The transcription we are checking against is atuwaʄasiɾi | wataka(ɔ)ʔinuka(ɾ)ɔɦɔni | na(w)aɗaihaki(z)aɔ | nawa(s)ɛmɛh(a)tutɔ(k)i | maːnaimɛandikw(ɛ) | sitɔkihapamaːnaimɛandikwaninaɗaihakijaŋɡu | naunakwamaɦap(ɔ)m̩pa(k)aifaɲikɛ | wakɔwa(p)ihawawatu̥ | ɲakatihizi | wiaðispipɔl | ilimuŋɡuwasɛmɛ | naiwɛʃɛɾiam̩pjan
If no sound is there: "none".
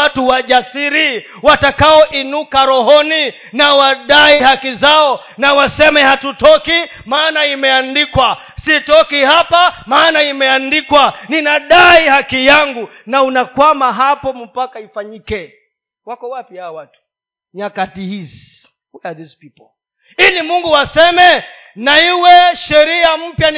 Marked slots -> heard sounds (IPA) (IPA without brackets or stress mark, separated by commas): ɔ, ɾ, w, z, s, a, k, a, ɔ, k, p